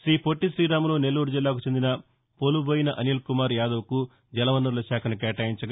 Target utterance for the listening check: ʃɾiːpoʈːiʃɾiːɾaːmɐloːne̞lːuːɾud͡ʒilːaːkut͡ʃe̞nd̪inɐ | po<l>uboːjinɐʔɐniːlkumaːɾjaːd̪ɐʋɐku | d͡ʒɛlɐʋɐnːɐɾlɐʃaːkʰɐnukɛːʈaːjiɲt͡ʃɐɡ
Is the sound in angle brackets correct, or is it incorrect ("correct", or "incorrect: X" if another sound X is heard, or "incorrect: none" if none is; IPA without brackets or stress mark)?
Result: correct